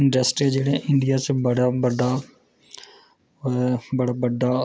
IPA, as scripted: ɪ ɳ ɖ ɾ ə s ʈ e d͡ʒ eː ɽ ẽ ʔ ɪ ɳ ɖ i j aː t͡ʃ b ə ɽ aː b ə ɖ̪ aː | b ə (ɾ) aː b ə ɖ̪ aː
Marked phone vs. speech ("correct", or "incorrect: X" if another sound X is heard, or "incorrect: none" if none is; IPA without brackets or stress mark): incorrect: ɽ